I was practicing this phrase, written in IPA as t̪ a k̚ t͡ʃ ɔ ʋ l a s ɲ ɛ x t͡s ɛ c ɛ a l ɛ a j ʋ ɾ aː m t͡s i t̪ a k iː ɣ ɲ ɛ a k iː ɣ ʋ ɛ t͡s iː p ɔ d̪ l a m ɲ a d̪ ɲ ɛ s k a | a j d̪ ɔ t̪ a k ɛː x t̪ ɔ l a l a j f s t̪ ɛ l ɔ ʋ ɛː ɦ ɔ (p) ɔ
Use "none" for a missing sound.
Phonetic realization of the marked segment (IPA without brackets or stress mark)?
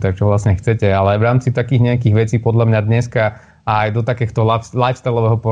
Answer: p